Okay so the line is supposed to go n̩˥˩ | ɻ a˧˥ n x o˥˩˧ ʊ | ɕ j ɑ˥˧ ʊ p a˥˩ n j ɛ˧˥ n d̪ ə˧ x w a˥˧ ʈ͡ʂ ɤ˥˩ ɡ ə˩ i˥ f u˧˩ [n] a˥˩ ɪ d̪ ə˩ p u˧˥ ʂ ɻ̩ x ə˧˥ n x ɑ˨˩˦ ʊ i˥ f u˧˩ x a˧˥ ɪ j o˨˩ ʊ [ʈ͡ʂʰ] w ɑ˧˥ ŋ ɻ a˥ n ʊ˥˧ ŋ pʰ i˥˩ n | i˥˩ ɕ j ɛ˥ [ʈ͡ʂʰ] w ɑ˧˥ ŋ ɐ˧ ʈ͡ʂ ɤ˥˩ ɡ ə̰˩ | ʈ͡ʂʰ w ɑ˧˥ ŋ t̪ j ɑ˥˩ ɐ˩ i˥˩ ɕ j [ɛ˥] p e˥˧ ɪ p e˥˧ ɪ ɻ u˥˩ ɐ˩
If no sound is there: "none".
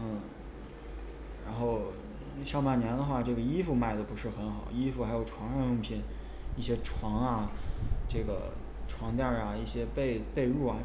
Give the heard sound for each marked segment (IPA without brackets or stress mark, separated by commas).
m, ʈ͡ʂʰ, ʈ͡ʂʰ, ɛ˥